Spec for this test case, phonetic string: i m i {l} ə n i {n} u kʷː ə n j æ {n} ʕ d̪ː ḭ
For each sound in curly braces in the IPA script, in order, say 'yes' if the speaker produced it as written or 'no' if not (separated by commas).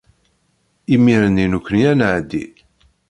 no, yes, yes